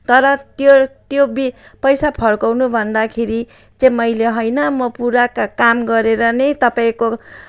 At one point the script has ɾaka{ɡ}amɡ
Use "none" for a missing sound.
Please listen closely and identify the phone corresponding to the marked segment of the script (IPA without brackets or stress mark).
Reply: k